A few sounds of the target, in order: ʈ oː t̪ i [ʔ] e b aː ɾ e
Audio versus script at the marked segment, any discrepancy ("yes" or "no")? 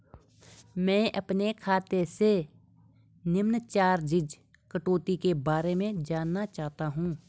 yes